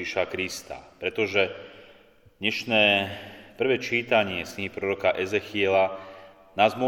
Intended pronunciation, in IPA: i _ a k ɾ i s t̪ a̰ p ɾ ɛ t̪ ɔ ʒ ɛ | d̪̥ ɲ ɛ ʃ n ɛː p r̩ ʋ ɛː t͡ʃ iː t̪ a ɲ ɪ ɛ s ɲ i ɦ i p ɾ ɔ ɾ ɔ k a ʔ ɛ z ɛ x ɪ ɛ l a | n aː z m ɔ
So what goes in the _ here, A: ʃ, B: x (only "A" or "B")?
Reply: A